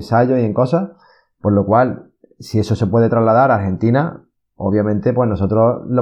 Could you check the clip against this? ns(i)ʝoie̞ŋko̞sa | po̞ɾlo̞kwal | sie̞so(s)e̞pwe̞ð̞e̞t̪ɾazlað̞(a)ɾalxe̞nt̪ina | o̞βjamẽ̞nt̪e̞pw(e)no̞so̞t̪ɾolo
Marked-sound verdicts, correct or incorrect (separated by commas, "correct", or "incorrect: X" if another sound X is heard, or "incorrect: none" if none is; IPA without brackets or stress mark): incorrect: a, correct, correct, correct